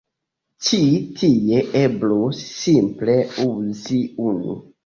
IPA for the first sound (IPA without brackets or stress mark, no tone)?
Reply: t͡ʃ